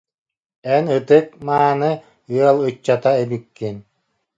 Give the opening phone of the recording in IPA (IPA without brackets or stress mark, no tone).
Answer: ɛ